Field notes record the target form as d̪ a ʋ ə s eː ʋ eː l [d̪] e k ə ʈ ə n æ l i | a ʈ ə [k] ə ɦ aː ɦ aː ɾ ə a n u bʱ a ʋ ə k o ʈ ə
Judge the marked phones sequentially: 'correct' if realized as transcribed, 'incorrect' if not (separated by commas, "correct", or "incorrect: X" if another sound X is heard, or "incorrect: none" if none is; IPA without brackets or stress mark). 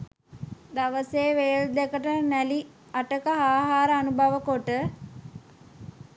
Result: correct, correct